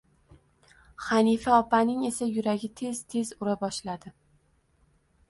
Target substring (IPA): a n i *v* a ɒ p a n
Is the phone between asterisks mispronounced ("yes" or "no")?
yes